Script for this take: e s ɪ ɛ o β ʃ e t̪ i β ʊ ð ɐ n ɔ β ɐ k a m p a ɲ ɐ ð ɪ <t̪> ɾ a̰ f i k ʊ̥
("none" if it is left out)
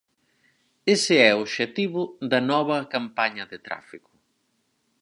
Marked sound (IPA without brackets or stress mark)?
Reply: t̪